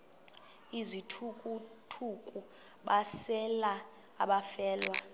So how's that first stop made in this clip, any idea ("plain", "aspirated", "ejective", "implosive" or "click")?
aspirated